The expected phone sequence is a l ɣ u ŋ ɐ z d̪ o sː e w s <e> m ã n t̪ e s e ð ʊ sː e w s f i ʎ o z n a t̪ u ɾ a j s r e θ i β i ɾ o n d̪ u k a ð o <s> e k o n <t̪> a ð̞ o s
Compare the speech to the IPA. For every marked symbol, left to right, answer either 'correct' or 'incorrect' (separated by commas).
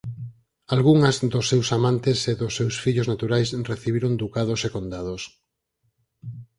incorrect, correct, incorrect